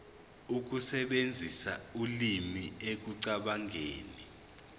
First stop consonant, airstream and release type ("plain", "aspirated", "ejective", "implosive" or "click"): plain